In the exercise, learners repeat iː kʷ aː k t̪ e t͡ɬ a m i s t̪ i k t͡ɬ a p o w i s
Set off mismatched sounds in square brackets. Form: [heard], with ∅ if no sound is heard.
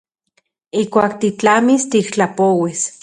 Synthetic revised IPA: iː kʷ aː k t̪ [i] t͡ɬ a m i s t̪ i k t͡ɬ a p o w i s